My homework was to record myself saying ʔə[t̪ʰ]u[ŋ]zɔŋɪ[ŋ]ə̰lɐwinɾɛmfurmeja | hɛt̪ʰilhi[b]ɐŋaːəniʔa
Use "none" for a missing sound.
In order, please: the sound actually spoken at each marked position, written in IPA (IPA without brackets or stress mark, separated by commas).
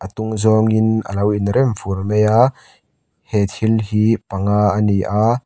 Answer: t̪, ŋ, n, p